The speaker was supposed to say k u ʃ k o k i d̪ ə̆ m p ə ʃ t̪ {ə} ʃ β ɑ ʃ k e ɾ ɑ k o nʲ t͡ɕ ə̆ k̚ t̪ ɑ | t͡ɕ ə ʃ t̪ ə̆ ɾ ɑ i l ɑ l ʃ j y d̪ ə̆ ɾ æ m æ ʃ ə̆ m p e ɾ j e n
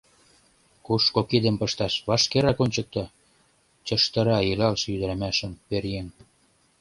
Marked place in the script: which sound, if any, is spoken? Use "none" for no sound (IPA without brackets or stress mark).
ɑ